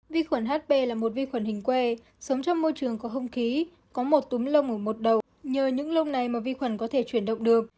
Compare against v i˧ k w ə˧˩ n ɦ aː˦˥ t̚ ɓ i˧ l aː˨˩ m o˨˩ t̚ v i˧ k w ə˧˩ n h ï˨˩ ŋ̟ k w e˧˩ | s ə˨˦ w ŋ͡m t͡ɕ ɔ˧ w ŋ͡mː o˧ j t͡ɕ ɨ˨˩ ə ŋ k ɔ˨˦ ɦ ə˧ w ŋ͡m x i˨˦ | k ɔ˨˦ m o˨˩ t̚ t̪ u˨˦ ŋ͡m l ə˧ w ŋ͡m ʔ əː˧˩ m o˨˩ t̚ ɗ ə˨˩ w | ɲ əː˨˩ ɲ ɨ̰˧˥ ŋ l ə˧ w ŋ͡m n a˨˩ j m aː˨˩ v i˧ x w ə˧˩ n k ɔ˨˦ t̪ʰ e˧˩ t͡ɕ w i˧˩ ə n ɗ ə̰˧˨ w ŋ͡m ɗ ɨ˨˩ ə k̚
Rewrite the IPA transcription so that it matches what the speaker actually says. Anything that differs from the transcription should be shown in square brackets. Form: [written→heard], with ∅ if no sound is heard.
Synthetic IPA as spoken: v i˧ [k→x] w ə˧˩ n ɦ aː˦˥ t̚ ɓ [i˧→e˧] l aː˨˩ m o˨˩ t̚ v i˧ [k→x] w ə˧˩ n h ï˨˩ ŋ̟ k w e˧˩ | s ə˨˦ w ŋ͡m t͡ɕ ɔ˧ w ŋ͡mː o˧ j t͡ɕ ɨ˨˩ ə ŋ k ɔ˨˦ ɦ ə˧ w ŋ͡m x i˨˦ | k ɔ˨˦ m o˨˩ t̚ t̪ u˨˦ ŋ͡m l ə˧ w ŋ͡m ʔ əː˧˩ m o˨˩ t̚ ɗ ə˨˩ w | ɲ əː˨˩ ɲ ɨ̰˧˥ ŋ l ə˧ w ŋ͡m n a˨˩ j m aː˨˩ v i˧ x w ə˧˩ n k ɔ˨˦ t̪ʰ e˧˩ t͡ɕ w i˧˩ ə n ɗ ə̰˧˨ w ŋ͡m ɗ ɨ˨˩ ə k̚